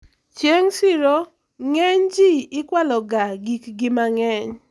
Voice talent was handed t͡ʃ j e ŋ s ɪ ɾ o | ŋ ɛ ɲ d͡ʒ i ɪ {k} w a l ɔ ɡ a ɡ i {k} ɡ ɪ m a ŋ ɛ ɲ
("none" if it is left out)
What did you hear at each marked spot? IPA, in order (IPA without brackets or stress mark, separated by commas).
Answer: k, k